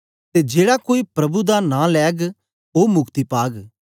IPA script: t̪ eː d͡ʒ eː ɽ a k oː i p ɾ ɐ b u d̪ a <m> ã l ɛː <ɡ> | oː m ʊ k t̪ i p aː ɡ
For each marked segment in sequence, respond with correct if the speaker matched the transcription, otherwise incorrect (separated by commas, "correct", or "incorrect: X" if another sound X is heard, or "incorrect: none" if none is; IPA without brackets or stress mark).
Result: incorrect: n, correct